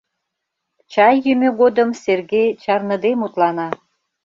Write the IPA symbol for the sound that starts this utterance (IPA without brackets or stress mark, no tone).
t͡ɕ